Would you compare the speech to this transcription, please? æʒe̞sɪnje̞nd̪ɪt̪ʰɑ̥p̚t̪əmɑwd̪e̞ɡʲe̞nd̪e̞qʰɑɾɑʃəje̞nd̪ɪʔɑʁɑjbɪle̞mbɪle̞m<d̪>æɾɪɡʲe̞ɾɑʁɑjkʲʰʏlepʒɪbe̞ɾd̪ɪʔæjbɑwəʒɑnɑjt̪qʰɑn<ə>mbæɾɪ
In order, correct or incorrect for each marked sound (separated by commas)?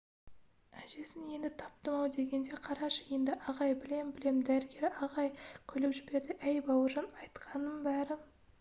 correct, correct